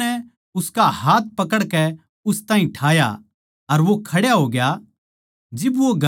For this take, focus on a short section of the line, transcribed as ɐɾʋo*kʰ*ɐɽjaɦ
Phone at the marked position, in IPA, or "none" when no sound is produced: kʰ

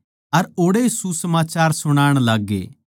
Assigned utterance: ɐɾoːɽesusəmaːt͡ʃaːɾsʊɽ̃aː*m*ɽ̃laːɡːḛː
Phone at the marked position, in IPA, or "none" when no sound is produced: none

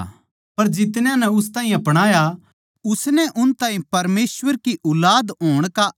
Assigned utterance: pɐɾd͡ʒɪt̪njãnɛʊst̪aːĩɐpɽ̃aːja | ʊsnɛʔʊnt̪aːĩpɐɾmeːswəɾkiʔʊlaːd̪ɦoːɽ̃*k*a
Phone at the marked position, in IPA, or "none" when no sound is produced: k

